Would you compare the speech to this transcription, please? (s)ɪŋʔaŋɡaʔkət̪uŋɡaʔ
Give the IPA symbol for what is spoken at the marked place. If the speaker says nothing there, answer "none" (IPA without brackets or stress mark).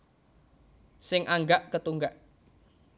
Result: s